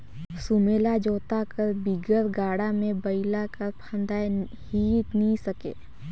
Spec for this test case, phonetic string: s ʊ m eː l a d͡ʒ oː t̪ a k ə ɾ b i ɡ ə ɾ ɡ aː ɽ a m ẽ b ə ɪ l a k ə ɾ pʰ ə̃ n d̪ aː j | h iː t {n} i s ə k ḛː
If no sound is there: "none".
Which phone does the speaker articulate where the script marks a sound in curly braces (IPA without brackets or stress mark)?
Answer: n